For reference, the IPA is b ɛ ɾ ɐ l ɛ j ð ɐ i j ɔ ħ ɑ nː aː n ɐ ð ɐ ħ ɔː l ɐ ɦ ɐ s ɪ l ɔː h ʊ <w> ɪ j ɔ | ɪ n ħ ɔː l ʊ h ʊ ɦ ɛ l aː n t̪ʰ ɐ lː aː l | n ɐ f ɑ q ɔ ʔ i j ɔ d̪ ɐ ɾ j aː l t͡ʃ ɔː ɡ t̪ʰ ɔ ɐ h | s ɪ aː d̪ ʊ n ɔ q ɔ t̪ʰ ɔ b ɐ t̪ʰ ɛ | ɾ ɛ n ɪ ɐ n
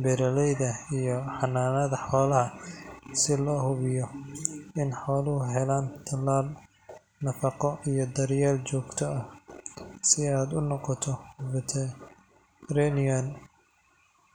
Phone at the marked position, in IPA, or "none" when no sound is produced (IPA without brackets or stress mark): β